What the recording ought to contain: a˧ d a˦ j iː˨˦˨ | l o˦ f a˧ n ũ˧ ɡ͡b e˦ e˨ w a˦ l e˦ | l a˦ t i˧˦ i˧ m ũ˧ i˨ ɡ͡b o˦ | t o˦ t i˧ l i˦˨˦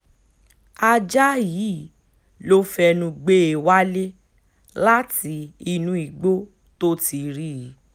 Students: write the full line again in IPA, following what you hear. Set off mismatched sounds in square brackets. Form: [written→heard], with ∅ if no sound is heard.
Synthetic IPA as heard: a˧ [d→d͡ʒ] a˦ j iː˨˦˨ | l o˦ f [a˧→ɛ˧] n ũ˧ ɡ͡b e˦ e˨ w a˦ l e˦ | l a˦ t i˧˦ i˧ [m→n] ũ˧ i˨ ɡ͡b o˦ | t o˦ t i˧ [l→ɾ] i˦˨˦